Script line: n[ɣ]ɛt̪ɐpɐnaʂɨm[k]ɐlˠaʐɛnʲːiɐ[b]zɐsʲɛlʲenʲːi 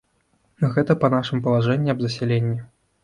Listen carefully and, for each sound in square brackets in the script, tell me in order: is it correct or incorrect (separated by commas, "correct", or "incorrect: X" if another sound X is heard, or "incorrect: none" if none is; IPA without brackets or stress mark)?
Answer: correct, incorrect: p, correct